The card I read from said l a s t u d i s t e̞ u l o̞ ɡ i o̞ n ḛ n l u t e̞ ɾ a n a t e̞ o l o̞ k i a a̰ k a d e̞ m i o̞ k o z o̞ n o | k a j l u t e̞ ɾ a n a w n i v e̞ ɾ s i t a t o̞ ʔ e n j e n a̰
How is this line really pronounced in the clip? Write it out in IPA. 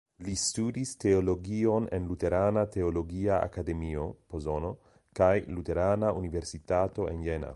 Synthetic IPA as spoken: l i s t u d i s t e̞ o l o̞ ɡ i o̞ n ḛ n l u t e̞ ɾ a n a t e̞ o l o̞ ɡ i a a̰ k a d e̞ m i o̞ p o z o̞ n o | k a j l u t e̞ ɾ a n a u n i v e̞ ɾ s i t a t o̞ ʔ e n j e n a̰

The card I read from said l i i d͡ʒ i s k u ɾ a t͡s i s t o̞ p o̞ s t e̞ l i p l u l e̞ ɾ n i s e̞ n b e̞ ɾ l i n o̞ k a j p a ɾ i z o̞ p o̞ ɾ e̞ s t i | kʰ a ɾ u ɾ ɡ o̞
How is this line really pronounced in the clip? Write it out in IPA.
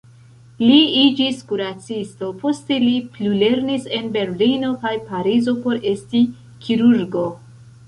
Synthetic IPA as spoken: l i i d͡ʒ i s k u ɾ a t͡s i s t o̞ p o̞ s t e̞ l i p l u l e̞ ɾ n i s e̞ n b e̞ ɾ l i n o̞ k a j p a ɾ i z o̞ p o̞ ɾ e̞ s t i | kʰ i ɾ u ɾ ɡ o̞

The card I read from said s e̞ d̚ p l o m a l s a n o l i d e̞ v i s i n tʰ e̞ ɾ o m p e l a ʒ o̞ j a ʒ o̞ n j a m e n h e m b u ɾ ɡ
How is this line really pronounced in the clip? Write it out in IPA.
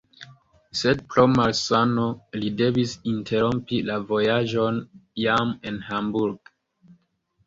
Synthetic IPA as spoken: s e̞ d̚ p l o m a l s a n o l i d e̞ v i s i n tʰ e̞ ɾ o m p i l a v o̞ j a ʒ o̞ n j a m e n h a m b u ɾ ɡ

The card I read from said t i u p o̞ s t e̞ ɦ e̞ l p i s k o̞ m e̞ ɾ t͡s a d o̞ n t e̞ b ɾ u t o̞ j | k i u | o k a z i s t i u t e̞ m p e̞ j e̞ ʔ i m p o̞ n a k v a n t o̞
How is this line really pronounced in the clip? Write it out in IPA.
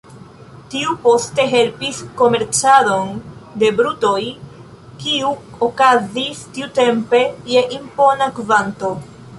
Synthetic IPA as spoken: t i u p o̞ s t e̞ ɦ e̞ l p i s k o̞ m e̞ ɾ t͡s a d o̞ n d e̞ b ɾ u t o̞ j | k i u | o k a z i s t i u t e̞ m p e̞ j e̞ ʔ i m p o̞ n a k v a n t o̞

